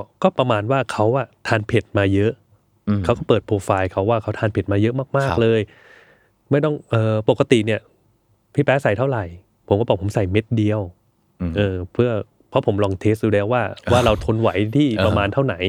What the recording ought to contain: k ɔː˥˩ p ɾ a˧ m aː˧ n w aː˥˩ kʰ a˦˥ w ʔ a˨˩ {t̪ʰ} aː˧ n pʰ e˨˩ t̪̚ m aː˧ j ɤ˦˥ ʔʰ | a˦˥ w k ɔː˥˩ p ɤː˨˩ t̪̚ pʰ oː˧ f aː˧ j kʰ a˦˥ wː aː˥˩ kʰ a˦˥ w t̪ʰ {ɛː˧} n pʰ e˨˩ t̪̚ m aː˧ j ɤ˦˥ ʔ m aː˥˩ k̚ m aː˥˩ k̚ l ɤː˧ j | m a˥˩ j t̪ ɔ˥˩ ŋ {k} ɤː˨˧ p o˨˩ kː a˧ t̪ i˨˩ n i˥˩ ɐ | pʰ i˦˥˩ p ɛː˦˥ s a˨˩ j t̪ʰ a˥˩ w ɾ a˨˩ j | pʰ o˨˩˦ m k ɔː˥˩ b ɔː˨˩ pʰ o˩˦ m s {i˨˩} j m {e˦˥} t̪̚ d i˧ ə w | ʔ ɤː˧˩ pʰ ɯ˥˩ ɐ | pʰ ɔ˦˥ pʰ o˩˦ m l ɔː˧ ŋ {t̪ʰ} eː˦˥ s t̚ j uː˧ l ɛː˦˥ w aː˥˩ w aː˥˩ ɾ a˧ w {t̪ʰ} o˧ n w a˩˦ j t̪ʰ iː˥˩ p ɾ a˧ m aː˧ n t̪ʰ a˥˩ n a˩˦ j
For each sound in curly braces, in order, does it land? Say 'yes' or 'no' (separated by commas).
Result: yes, no, no, no, yes, yes, yes